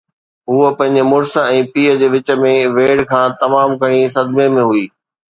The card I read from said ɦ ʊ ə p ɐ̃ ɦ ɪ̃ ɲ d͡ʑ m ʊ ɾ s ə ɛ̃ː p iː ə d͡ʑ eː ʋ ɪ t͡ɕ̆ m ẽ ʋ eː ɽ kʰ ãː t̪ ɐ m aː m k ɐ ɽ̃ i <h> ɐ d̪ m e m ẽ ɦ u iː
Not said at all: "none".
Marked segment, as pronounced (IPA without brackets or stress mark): s